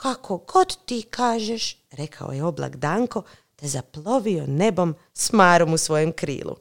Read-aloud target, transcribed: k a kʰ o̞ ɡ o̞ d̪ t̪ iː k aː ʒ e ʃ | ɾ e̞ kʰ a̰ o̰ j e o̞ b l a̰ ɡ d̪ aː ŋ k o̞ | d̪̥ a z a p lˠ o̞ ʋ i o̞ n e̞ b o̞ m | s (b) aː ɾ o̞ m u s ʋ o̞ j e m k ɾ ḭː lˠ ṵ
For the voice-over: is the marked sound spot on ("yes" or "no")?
no